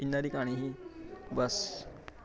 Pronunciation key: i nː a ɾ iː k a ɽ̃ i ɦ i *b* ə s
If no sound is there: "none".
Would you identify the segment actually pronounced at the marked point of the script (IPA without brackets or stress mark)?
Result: b